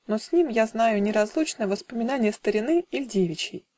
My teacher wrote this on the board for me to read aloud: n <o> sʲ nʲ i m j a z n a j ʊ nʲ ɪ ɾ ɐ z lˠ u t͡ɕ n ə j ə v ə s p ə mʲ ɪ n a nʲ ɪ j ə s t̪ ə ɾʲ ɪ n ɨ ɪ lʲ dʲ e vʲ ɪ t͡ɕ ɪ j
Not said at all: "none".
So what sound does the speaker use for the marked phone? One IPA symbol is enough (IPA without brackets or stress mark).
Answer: o